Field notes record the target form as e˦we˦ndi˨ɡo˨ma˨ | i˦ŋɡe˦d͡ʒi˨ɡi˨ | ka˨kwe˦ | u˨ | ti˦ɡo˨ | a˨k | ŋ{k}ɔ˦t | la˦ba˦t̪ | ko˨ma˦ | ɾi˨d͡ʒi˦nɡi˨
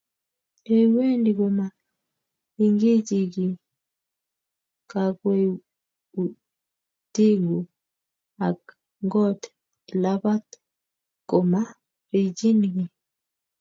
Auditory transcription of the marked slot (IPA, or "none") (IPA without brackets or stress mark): ɡ